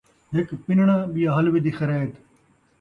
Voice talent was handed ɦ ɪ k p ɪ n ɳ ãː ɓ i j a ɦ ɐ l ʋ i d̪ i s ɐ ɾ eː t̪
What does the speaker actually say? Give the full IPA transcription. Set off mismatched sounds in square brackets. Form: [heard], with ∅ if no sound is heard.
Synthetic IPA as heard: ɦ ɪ k p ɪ n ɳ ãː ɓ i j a ɦ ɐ l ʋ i d̪ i [x] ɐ ɾ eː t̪